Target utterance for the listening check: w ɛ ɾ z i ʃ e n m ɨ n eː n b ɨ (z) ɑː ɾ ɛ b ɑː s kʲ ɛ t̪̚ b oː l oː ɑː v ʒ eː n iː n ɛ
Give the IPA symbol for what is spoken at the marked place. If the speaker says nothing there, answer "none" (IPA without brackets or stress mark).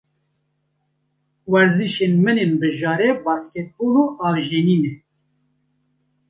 ʒ